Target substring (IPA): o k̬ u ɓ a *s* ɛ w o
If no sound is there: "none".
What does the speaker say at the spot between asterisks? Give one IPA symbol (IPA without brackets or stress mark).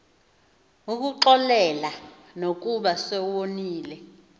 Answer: s